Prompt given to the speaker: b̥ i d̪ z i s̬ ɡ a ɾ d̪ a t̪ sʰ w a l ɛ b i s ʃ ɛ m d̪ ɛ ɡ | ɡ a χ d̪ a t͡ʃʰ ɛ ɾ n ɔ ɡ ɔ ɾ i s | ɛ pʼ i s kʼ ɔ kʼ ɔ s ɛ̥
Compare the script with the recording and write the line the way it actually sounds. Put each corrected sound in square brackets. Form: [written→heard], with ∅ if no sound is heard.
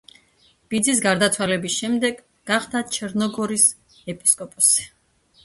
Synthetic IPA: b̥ i d̪ z i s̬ ɡ a ɾ d̪ a t̪ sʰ w a l ɛ b i s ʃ ɛ m d̪ ɛ ɡ | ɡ a χ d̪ a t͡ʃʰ ɛ ɾ n ɔ ɡ ɔ ɾ i s | ɛ pʼ i s kʼ ɔ [kʼ→pʼ] ɔ s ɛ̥